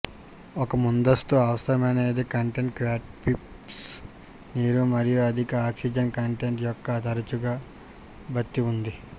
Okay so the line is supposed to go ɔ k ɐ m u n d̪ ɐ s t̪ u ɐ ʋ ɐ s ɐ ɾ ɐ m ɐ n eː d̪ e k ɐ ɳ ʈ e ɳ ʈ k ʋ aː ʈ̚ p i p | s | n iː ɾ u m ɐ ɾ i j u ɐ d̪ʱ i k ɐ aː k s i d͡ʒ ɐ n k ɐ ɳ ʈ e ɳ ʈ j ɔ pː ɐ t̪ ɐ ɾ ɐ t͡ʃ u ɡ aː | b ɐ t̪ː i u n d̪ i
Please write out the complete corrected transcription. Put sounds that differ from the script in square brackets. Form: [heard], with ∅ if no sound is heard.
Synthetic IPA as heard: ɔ k ɐ m u n d̪ ɐ s t̪ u ɐ ʋ ɐ s ɐ ɾ ɐ m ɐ n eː d̪ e k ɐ ɳ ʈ e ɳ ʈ k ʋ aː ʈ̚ p i p | s | n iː ɾ u m ɐ ɾ i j u ɐ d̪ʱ i k ɐ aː k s i d͡ʒ ɐ n k ɐ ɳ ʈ e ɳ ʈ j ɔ [kː] ɐ t̪ ɐ ɾ ɐ t͡ʃ u ɡ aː | b ɐ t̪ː i u n d̪ i